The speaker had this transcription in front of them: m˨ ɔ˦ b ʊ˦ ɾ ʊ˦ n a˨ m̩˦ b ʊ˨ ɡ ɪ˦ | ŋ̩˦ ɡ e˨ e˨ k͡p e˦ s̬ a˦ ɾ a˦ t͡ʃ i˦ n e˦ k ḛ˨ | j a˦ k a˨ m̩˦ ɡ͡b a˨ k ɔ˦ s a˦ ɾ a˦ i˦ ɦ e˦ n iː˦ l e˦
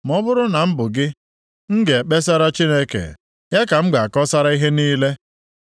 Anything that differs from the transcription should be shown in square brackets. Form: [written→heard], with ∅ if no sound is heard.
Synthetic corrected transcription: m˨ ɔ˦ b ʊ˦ ɾ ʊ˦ n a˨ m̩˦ b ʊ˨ ɡ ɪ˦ | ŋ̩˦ ɡ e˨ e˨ k͡p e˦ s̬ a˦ ɾ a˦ t͡ʃ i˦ n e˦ k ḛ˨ | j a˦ k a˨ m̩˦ ɡ͡b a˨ k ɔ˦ s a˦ ɾ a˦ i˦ ɦ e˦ n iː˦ l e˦